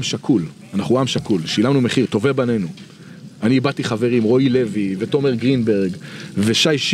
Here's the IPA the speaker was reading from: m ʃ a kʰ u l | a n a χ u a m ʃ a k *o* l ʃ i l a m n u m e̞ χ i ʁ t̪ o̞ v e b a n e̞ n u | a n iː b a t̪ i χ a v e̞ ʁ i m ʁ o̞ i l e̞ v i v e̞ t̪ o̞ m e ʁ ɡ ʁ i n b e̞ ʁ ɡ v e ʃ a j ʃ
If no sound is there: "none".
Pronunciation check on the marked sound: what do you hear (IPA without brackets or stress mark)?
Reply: u